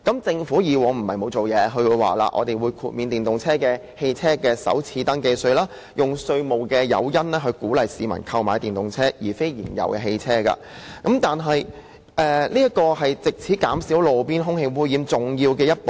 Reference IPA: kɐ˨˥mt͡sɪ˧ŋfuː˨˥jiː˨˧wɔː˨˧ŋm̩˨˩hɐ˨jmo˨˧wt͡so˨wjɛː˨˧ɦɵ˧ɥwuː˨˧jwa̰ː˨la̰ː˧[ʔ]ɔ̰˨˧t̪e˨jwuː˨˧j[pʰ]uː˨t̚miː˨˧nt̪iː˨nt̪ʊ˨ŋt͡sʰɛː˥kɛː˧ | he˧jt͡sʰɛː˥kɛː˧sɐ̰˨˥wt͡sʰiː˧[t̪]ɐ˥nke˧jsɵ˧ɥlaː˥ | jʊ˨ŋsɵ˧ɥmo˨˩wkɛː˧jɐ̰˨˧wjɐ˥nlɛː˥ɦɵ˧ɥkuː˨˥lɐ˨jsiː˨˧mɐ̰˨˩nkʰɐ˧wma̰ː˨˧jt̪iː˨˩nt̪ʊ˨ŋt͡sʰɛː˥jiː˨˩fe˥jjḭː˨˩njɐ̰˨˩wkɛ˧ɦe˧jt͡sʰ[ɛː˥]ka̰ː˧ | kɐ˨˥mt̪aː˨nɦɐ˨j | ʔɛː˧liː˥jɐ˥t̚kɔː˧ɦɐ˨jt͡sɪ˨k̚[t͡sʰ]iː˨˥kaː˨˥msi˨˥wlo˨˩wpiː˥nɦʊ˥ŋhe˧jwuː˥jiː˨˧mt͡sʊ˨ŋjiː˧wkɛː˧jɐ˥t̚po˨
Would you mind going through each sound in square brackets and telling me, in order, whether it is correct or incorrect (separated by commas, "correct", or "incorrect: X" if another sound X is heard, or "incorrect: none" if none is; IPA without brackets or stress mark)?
correct, incorrect: kʰ, correct, correct, correct